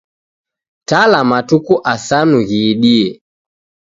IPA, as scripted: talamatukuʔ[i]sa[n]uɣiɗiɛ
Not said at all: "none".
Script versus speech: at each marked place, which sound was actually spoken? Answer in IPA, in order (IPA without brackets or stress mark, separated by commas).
a, n